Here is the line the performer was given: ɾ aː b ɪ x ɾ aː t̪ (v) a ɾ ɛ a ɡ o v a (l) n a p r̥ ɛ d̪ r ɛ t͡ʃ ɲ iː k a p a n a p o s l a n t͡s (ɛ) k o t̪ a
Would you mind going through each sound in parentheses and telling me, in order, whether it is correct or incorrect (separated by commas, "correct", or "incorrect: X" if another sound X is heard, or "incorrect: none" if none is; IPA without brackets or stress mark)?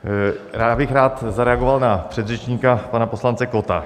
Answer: incorrect: z, correct, correct